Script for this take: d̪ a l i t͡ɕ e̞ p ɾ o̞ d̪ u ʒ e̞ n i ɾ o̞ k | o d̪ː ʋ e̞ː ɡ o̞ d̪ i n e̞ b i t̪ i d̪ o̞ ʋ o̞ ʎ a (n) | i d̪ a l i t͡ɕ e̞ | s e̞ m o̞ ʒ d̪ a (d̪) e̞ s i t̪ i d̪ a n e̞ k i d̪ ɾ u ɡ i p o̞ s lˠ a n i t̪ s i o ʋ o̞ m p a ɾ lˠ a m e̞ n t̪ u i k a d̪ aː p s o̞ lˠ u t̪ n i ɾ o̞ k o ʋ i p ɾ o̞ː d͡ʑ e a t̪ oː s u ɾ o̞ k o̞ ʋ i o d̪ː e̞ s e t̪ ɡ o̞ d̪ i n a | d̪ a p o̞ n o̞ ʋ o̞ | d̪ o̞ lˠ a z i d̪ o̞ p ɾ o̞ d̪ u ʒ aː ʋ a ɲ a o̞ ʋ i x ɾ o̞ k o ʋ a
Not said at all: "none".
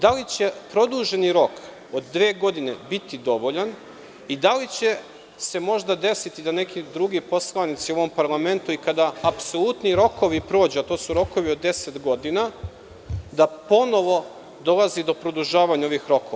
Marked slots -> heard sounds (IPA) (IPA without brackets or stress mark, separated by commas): n, d̪